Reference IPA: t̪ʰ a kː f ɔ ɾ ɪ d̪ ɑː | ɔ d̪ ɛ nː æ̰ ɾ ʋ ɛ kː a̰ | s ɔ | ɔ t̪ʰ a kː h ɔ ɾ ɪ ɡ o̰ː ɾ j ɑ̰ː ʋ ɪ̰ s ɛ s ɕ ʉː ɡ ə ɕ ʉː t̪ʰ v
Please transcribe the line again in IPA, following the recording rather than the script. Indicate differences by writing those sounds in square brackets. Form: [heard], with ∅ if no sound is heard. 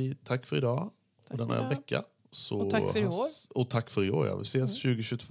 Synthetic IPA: t̪ʰ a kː f ɔ ɾ ɪ d̪ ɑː | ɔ d̪ ɛ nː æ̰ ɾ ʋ ɛ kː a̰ | s ɔ | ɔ t̪ʰ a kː [f] ɔ ɾ ɪ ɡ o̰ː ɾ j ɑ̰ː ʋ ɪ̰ s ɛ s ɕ ʉː ɡ ə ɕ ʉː t̪ʰ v